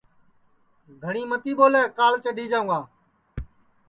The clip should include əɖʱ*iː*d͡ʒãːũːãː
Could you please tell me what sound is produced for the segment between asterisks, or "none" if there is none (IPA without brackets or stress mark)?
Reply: iː